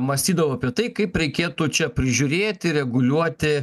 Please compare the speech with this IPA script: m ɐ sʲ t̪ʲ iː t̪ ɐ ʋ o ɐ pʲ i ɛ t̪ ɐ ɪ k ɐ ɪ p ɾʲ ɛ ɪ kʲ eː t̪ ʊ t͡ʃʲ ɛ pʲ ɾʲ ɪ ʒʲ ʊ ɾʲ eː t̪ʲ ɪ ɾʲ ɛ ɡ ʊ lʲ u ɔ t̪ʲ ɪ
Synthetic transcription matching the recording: m ɐ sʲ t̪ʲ iː d̪ ɐ ʋ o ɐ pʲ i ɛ t̪ ɐ ɪ k ɐ ɪ p ɾʲ ɛ ɪ kʲ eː t̪ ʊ t͡ʃʲ ɛ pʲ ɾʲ ɪ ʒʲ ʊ ɾʲ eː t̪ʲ ɪ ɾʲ ɛ ɡ ʊ lʲ u ɔ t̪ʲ ɪ